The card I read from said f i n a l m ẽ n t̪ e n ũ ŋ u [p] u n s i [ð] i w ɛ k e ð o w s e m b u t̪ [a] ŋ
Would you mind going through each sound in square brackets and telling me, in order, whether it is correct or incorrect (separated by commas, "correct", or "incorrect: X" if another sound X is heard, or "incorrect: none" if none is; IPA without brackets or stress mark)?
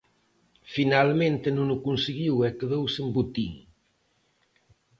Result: incorrect: k, incorrect: ɣ, incorrect: i